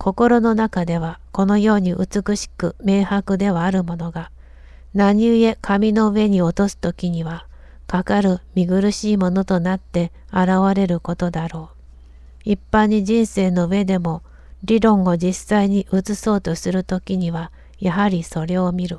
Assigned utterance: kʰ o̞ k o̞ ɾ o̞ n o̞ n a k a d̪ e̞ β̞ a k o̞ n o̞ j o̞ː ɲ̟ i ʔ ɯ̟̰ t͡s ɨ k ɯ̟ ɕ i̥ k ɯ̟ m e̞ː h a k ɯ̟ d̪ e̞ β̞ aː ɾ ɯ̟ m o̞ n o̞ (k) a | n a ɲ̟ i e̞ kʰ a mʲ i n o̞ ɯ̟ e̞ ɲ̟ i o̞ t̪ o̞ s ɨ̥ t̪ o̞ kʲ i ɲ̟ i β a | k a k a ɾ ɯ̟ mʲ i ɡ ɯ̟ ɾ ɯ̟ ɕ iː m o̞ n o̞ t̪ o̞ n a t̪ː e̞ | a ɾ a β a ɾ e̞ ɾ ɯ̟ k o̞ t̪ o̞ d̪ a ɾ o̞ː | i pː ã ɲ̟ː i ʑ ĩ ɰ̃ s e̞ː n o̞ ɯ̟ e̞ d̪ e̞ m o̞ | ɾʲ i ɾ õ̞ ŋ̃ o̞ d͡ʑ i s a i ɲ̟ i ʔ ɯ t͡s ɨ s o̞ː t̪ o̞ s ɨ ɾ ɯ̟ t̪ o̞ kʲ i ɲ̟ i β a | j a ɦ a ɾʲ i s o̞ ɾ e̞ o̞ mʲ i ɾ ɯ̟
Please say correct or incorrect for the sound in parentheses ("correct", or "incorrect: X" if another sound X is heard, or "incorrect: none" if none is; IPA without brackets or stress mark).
incorrect: ɡ